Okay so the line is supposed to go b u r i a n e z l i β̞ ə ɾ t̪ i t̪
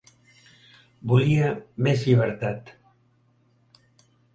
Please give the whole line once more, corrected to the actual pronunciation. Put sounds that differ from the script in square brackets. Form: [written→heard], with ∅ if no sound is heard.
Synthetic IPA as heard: b u [r→l] i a [n→m] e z [l→ʎ] i β̞ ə ɾ t̪ [i→a] t̪